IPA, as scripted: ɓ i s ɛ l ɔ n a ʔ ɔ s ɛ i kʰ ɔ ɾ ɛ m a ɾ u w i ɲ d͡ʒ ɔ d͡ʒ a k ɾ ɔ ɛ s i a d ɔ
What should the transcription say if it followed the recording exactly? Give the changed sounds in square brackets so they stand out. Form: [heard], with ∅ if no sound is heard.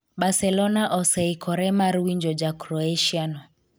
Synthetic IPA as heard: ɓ [a] s ɛ l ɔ n a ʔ ɔ s ɛ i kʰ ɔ ɾ ɛ m a ɾ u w i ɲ d͡ʒ ɔ d͡ʒ a k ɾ ɔ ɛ [ʃ] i a [n] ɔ